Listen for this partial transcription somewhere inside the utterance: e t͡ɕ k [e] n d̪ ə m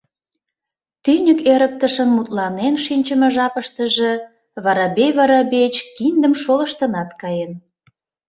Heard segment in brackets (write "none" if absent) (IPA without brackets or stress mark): i